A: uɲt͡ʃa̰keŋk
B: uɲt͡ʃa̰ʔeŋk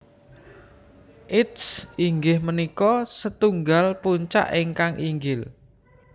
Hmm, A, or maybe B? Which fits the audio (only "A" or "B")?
B